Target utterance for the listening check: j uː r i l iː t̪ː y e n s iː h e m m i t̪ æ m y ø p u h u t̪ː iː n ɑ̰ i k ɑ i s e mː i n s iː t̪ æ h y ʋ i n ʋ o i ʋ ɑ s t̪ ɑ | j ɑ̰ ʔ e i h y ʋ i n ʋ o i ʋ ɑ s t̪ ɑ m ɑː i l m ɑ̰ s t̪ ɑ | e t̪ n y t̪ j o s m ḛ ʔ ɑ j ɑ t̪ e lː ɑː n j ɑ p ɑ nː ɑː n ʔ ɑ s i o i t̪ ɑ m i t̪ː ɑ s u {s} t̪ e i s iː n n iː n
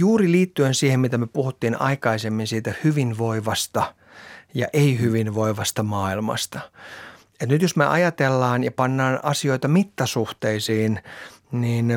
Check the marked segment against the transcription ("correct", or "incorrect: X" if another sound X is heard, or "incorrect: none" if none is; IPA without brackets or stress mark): incorrect: h